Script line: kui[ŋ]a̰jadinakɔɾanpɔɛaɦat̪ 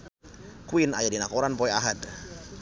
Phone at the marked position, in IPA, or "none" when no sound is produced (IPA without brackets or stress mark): n